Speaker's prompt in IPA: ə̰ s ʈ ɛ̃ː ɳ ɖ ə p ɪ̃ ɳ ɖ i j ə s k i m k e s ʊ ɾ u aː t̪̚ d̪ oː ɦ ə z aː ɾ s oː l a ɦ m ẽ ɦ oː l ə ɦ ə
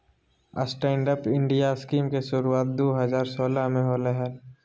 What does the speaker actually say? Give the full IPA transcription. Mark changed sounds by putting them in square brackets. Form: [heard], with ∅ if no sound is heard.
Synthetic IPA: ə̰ s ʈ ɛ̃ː ɳ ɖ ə p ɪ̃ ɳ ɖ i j [a] s k [iː] m k e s ʊ ɾ u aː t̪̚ d̪ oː ɦ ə z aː ɾ s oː l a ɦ m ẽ ɦ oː l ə ɦ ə